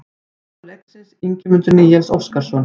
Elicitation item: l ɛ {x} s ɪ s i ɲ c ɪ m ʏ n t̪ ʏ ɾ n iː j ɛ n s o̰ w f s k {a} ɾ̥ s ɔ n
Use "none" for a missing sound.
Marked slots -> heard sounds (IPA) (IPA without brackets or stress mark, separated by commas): k, a